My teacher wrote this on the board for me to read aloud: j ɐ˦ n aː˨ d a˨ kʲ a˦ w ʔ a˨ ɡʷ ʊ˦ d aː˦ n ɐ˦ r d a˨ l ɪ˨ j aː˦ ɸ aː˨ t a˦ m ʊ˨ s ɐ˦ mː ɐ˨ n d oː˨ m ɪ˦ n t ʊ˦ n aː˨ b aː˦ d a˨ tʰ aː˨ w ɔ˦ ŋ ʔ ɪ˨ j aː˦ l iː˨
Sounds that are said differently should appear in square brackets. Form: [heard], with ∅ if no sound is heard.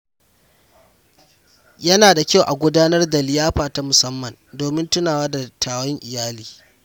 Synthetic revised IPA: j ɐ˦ n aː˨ d a˨ kʲ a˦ w ʔ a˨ ɡʷ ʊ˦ d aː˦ n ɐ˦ r d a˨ l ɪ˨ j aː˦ ɸ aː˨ t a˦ m ʊ˨ s ɐ˦ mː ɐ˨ n d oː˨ m ɪ˦ n t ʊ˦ n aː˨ [w] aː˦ d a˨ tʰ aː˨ w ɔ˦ ŋ ʔ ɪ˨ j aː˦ l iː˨

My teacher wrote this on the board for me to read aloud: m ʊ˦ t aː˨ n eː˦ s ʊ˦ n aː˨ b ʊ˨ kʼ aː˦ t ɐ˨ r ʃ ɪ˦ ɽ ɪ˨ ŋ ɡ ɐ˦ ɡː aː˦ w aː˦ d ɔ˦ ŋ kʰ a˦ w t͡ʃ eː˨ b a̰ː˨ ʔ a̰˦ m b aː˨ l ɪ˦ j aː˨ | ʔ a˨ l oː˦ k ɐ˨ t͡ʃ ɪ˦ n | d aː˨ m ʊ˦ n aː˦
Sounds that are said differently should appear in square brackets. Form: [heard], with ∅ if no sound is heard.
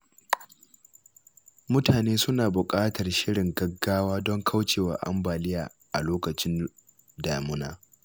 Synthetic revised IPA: m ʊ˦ t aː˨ n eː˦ s ʊ˦ n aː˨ b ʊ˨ kʼ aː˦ t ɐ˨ r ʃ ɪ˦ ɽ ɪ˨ ŋ ɡ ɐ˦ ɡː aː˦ w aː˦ d ɔ˦ ŋ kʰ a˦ w t͡ʃ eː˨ [w] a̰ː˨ ʔ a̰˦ m b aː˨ l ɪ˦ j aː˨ | ʔ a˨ l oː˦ k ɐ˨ t͡ʃ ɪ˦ n | d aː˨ m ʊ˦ n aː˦

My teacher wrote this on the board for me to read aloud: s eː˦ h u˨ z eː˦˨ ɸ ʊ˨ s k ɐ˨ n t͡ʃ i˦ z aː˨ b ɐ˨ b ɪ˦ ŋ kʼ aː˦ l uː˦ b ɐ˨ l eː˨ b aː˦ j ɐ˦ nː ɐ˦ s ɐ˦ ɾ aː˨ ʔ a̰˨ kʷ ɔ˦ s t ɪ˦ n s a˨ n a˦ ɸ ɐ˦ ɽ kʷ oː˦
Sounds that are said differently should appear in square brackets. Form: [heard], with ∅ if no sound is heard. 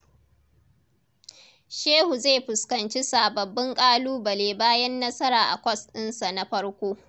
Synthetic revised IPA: [ʃ] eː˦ h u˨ z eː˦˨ ɸ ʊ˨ s k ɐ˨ n t͡ʃ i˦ [s] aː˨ b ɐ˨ [bː] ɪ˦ ŋ kʼ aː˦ l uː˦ b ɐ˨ l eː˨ b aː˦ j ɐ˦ nː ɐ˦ s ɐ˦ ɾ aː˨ ʔ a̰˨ kʷ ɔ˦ s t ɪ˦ n s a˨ n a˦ ɸ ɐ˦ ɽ kʷ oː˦

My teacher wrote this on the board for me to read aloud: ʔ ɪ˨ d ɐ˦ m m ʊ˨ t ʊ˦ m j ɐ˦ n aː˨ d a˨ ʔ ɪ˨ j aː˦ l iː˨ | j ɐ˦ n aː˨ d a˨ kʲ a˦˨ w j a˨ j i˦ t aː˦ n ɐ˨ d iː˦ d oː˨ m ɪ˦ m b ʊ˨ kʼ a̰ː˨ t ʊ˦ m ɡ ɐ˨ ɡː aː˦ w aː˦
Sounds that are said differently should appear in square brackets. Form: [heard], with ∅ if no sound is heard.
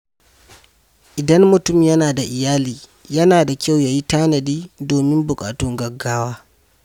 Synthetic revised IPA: ʔ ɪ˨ d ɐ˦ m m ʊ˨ t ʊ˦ m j ɐ˦ n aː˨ d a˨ ʔ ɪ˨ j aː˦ l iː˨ | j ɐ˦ n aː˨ d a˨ kʲ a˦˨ w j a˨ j i˦ t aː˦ n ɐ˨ d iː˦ d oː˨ m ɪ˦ m b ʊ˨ kʼ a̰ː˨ t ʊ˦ [ŋ] ɡ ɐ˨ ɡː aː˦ w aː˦

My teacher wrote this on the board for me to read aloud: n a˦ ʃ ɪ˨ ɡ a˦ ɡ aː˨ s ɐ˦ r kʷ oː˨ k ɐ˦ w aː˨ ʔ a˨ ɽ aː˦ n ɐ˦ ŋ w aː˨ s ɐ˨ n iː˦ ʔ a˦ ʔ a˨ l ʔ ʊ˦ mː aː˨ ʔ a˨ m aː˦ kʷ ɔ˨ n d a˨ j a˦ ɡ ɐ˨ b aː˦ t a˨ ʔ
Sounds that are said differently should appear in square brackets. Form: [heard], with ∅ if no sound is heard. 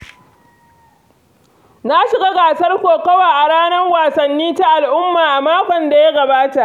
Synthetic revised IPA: n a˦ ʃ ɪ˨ ɡ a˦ ɡ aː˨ s ɐ˦ r kʷ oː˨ k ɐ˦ w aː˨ ʔ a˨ ɽ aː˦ n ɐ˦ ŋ w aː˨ s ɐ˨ [nː] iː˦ [t] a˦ ʔ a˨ l ʔ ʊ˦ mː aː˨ ʔ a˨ m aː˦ kʷ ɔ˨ n d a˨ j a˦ ɡ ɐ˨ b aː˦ t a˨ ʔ

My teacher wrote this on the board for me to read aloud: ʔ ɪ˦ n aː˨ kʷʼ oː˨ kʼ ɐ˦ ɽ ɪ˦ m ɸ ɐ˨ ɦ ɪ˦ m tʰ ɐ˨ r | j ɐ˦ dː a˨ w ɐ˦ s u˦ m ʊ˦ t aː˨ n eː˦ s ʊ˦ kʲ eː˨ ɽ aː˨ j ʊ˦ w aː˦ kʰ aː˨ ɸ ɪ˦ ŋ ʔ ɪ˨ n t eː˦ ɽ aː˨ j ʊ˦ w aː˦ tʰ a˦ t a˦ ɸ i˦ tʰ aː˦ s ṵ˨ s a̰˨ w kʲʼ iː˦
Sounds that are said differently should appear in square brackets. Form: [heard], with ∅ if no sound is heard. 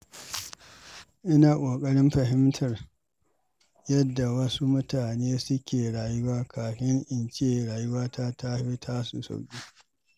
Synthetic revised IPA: ʔ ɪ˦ n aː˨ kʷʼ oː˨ kʼ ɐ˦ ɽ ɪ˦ m ɸ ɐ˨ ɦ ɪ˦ m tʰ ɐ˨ r | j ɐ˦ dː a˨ w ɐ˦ s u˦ m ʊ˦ t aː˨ n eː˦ s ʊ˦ kʲ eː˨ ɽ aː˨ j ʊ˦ w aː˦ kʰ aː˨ ɸ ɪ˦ ŋ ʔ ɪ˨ n [t͡ʃ] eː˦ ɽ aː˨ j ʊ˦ w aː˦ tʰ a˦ t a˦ ɸ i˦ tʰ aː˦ s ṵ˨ s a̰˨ w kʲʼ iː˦

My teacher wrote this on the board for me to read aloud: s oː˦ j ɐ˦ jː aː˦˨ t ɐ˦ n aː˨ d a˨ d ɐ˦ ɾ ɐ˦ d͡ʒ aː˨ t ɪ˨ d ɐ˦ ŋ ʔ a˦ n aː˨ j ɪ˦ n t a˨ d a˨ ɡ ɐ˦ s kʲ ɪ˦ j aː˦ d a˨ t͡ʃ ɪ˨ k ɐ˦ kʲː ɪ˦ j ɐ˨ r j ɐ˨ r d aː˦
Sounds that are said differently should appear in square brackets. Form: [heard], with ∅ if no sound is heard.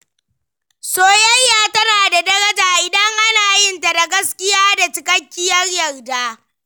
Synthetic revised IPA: s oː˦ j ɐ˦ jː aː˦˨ t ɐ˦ n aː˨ d a˨ d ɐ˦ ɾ ɐ˦ d͡ʒ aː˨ [ʔ] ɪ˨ d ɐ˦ ŋ ʔ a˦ n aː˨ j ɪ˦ n t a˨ d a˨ ɡ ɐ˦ s kʲ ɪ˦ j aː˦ d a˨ t͡ʃ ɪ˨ k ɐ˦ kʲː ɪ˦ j [ɐ˦] r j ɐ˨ r d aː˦

